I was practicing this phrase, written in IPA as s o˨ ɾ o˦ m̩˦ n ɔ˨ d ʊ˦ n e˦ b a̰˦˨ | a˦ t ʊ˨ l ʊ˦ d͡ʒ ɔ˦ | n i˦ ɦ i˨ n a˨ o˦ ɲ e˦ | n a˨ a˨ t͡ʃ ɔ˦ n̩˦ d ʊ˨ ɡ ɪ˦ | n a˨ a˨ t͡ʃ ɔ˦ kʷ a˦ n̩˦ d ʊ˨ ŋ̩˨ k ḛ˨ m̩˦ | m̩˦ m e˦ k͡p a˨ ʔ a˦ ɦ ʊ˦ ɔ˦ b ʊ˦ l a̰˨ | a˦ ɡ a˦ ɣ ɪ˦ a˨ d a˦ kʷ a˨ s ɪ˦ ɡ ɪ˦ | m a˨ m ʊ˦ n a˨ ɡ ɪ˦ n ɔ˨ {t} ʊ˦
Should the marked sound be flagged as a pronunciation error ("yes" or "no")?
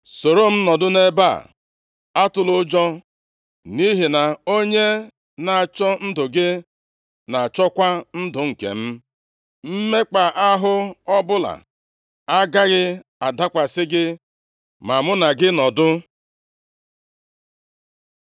yes